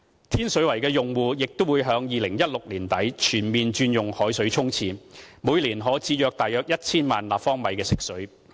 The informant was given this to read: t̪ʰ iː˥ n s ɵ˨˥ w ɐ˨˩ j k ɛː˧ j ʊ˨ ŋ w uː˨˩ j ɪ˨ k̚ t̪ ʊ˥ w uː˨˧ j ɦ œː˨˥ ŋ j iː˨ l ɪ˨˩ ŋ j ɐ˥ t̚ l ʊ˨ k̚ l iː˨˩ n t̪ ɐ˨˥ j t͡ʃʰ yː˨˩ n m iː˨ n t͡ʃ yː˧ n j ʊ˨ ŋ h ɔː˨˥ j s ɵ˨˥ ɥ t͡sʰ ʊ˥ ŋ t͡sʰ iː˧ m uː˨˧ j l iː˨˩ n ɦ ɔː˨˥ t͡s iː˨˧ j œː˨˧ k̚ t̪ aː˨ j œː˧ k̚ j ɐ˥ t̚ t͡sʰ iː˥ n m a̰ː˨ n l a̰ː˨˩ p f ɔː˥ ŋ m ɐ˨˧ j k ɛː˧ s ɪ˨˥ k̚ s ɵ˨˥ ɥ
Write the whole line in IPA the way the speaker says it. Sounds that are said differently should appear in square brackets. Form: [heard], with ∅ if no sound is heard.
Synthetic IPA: t̪ʰ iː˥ n s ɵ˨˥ w ɐ˨˩ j k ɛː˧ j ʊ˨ ŋ w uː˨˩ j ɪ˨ k̚ t̪ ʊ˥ w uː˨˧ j ɦ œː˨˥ ŋ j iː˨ l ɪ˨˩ ŋ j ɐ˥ t̚ l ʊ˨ k̚ l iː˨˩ n t̪ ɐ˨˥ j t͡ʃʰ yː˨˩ n m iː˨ n t͡ʃ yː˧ n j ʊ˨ ŋ h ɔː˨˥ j s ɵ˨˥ ɥ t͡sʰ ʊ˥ ŋ t͡sʰ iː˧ m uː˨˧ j l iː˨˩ n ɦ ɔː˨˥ t͡s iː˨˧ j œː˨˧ k̚ t̪ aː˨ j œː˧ k̚ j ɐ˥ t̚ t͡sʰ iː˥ n m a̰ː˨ n l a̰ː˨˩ p f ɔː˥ ŋ m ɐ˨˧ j k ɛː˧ s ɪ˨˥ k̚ s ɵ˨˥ ɥ

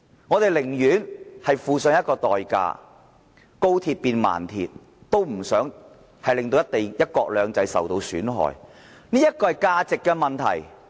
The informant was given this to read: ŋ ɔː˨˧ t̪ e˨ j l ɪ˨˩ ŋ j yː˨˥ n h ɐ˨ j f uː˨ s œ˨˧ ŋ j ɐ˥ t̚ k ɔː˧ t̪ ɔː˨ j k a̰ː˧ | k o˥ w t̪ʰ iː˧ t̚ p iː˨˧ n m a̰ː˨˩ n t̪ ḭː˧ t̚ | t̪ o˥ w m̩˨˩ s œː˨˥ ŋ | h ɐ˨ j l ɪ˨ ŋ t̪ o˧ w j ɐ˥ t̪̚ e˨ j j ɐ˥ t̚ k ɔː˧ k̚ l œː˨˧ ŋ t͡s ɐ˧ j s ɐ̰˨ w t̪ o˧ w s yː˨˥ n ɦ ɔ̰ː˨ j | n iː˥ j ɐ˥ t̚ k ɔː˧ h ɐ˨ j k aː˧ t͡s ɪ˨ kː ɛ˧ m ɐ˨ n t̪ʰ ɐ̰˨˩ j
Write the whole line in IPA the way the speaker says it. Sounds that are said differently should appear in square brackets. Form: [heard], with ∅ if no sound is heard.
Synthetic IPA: ŋ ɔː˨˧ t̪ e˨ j l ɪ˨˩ ŋ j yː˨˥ n h ɐ˨ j f uː˨ s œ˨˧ ŋ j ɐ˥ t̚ k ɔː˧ t̪ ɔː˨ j k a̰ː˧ | k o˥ w t̪ʰ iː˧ t̚ p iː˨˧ n m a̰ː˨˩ n [t̪ʰ] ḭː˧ t̚ | t̪ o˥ w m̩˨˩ s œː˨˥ ŋ | h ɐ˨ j l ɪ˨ ŋ t̪ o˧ w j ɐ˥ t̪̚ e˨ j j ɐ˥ t̚ k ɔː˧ k̚ l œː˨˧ ŋ t͡s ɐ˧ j s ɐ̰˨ w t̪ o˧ w s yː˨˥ n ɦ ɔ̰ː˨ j | n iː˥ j ɐ˥ t̚ k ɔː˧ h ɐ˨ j k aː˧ t͡s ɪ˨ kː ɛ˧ m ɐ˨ n t̪ʰ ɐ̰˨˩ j

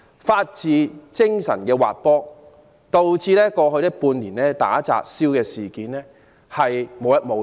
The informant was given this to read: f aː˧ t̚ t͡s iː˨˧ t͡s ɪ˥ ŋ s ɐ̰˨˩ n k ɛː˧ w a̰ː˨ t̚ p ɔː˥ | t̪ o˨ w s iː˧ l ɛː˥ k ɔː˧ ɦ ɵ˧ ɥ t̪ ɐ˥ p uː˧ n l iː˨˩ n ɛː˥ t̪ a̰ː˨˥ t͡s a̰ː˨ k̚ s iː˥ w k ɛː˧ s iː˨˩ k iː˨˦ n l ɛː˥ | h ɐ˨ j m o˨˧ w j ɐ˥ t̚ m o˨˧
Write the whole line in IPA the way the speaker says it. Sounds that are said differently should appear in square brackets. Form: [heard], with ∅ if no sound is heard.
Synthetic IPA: f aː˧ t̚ t͡s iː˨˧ t͡s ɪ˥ ŋ s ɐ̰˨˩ n k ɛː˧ w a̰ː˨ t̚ p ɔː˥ | t̪ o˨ w [t͡s] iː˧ l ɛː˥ k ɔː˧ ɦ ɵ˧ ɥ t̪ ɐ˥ p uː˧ n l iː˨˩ n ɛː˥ t̪ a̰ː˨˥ t͡s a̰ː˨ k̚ s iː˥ w k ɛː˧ s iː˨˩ k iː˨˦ n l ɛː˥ | h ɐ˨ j m o˨˧ w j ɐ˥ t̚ m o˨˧

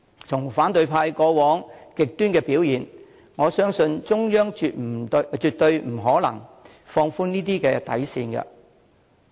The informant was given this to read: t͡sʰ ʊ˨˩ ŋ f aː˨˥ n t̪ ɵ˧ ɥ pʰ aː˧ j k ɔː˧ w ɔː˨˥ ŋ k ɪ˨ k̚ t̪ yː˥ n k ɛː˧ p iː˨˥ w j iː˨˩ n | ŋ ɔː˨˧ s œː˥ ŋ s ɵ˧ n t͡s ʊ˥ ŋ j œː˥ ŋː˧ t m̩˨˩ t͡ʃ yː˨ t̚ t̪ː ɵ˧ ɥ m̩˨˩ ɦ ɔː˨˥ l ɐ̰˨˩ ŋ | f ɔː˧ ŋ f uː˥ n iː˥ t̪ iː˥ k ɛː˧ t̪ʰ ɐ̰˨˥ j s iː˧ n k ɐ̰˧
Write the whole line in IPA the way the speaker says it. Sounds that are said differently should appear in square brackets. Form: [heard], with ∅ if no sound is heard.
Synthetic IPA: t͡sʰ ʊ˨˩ ŋ f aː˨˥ n t̪ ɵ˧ ɥ pʰ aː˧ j k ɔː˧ w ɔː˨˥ ŋ k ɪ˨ k̚ t̪ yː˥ n k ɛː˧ p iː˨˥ w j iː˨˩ n | ŋ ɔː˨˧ s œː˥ ŋ s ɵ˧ n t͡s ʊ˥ ŋ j œː˥ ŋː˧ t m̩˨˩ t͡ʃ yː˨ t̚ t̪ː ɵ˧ ɥ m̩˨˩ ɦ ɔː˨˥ l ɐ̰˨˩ ŋ | f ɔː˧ ŋ f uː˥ n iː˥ t̪ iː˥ k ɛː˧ [t̪] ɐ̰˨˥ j s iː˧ n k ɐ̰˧

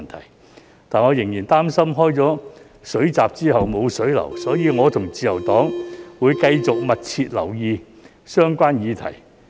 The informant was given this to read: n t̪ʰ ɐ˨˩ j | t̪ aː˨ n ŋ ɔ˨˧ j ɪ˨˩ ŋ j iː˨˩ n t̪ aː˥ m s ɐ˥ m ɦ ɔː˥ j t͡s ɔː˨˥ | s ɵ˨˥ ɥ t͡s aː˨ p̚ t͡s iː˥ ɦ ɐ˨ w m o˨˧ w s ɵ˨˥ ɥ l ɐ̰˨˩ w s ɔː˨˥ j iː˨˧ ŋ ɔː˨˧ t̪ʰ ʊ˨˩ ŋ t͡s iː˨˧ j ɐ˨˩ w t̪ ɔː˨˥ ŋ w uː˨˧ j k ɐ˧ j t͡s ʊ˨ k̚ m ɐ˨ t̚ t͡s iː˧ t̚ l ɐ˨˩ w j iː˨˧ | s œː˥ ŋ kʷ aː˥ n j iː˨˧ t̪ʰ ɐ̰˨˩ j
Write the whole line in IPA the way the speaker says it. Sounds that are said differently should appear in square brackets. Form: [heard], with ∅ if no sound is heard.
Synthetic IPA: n t̪ʰ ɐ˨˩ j | t̪ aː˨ n ŋ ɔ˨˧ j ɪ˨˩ ŋ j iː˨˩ n t̪ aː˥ m s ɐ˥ m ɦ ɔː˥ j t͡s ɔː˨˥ | s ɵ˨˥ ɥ t͡s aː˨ p̚ t͡s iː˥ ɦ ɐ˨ w m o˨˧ w s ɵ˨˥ ɥ l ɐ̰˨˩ w s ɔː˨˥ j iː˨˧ ŋ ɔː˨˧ t̪ʰ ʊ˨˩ ŋ t͡s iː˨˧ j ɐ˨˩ w t̪ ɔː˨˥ ŋ w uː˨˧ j k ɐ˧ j t͡s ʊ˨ k̚ m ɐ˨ t̚ [t͡sʰ] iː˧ t̚ l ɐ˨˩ w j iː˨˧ | s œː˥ ŋ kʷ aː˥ n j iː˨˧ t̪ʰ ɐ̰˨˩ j

